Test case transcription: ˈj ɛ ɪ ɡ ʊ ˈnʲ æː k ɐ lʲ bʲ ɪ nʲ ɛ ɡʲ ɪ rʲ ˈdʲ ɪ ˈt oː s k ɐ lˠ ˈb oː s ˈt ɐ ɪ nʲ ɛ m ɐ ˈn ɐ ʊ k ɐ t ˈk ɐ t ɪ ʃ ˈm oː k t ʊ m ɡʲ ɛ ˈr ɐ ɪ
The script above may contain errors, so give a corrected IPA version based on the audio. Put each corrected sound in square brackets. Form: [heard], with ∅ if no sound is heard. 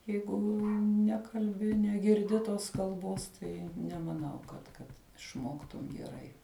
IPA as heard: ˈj ɛ ɪ ɡ ʊ ˈnʲ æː k ɐ lʲ bʲ ɪ nʲ ɛ ɡʲ ɪ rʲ ˈdʲ ɪ ˈt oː s k ɐ lˠ ˈb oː s ˈt ɐ ɪ nʲ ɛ m ɐ ˈn ɐ ʊ k ɐ t ˈk ɐ t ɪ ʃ ˈm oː k t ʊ m ɡʲ ɛ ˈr ɐ ɪ